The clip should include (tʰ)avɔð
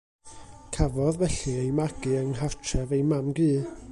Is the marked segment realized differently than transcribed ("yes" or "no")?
yes